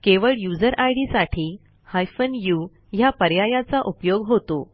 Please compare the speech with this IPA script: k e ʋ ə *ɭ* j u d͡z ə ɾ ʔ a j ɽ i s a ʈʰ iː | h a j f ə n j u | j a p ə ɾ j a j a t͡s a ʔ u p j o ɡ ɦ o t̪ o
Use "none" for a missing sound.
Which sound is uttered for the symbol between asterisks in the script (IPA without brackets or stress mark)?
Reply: ɭ